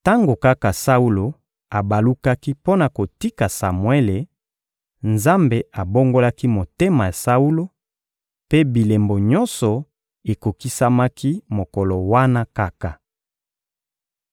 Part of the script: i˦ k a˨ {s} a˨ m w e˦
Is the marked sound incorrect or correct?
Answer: correct